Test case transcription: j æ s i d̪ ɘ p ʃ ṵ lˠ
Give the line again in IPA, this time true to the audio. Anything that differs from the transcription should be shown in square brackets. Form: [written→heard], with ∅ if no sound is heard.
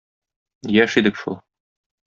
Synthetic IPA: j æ [s→ʃ] i d̪ ɘ [p→k] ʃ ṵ lˠ